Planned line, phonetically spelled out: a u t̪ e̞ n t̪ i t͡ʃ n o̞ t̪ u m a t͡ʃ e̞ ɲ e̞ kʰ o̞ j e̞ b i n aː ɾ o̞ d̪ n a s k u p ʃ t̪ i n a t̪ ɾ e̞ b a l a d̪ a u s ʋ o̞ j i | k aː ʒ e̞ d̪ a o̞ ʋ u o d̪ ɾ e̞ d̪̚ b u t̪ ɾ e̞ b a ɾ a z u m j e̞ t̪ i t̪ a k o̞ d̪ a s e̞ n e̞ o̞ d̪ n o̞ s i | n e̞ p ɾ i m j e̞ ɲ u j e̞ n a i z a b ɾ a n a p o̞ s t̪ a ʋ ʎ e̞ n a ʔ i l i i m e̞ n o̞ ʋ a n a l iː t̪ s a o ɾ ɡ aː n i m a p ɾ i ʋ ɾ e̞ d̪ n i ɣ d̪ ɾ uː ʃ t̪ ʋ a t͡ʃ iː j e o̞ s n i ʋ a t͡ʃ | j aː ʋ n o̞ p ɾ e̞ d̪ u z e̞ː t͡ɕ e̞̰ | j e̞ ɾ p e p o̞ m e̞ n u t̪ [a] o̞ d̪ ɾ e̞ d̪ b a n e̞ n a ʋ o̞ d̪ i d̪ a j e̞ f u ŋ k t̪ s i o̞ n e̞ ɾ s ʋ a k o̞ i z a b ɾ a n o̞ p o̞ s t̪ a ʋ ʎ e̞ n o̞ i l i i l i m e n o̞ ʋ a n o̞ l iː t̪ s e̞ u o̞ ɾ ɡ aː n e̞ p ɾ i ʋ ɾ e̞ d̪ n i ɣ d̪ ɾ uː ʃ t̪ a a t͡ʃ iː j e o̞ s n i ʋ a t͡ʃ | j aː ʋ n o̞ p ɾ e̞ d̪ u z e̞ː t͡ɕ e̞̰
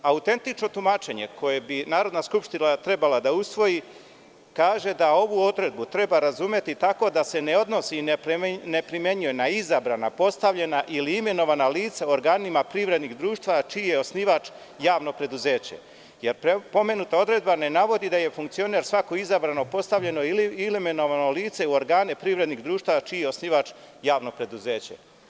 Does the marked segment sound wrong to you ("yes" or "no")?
no